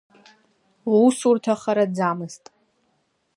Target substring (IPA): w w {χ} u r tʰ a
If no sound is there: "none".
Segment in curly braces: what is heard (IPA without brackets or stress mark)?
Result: s